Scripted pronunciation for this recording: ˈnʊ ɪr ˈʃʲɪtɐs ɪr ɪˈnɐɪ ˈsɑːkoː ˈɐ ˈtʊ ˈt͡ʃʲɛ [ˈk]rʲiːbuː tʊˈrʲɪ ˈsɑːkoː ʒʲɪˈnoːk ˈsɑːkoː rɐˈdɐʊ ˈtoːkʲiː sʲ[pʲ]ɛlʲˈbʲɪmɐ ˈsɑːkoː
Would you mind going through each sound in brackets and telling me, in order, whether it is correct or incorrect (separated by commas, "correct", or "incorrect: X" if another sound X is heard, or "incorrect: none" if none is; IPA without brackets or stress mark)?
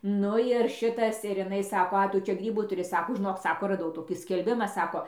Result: incorrect: ɡ, incorrect: kʲ